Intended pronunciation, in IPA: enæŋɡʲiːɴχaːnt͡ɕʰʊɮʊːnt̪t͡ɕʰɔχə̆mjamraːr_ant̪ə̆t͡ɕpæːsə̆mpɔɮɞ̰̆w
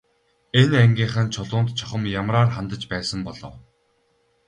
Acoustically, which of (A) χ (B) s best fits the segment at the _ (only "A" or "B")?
A